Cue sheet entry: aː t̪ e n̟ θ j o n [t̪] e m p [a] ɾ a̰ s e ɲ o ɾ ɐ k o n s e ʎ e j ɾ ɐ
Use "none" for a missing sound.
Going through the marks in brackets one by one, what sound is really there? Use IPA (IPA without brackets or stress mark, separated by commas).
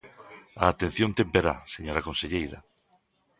t̪, e